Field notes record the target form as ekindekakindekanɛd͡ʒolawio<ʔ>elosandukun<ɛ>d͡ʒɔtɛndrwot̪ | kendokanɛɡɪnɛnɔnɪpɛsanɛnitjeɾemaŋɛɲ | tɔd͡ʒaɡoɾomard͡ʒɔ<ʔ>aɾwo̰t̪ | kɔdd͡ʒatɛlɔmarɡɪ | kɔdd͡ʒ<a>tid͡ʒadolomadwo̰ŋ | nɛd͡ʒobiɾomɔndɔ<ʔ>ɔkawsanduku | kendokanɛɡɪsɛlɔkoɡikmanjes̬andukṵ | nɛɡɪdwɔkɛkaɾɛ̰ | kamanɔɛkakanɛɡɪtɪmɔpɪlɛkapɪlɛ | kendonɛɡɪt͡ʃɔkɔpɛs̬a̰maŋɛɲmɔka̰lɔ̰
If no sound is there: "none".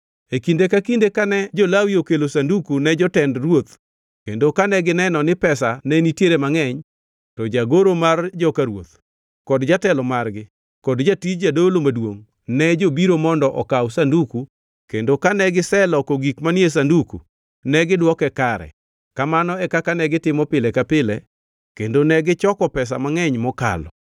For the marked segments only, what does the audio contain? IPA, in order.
k, ɛ, k, a, ʔ

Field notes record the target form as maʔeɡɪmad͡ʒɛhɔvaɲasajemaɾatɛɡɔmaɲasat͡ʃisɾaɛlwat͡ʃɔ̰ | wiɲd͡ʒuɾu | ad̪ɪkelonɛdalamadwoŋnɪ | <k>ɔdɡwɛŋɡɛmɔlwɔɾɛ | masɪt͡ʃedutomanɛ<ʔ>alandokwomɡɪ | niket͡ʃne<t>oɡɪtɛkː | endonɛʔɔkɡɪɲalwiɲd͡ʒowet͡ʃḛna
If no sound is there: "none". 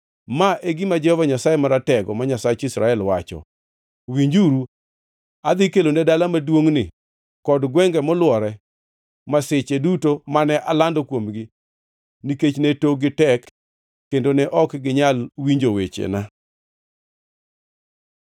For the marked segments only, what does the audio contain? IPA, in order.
k, ʔ, t

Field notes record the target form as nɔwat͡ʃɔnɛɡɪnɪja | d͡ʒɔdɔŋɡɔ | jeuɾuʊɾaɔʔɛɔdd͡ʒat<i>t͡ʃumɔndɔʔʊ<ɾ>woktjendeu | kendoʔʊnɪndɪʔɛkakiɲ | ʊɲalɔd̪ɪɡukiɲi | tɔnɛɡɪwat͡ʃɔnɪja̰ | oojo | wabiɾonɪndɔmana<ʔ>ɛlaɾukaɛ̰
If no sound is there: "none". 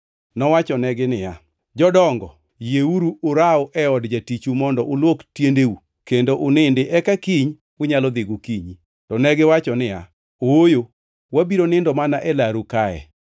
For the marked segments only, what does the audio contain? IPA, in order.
i, l, ʔ

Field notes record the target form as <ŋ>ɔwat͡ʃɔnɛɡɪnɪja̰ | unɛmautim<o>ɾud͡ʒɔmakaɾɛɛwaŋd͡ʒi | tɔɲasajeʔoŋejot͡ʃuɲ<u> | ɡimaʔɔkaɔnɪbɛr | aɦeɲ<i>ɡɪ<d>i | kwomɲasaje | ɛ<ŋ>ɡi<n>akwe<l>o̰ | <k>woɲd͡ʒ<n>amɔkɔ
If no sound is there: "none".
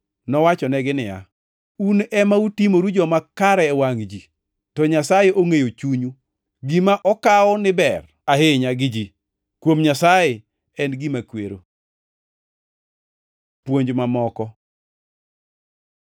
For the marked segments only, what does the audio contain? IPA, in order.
n, o, u, a, d͡ʒ, n, m, ɾ, p, m

